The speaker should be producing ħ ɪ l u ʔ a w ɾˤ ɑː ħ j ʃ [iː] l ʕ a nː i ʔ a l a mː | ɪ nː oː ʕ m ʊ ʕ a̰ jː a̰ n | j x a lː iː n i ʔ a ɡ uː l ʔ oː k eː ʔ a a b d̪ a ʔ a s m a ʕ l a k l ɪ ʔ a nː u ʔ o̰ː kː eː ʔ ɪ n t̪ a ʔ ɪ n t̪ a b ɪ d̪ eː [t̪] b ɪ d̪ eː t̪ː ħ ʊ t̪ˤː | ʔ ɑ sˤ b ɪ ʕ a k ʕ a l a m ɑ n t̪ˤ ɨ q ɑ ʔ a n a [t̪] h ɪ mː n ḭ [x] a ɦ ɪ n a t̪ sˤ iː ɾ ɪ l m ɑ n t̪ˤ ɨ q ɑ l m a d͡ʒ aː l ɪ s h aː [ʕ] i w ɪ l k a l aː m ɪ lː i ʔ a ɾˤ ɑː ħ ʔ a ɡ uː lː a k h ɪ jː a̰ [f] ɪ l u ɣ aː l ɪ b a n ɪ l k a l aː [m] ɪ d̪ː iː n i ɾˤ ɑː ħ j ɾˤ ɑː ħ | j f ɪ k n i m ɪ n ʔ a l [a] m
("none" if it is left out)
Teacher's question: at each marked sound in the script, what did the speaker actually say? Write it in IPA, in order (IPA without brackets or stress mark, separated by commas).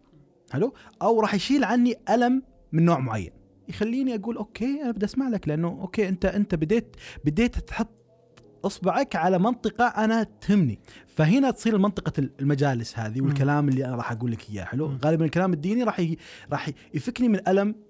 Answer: iː, t̪, t̪, f, ð, ħ, m, a